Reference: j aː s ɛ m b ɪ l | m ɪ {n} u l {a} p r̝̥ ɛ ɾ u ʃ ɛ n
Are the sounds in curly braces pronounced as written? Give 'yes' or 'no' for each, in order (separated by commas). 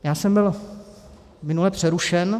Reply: yes, no